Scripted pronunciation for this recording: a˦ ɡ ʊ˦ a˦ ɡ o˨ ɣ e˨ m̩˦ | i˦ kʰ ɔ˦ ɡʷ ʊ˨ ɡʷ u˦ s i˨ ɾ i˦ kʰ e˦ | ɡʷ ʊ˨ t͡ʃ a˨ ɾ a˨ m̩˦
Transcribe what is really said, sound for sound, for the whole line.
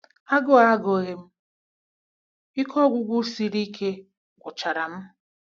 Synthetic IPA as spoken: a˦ ɡ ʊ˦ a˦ ɡ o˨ ɣ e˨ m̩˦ | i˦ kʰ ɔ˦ ɡʷ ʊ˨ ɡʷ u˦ s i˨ ɾ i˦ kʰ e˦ | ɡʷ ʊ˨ t͡ʃ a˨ ɾ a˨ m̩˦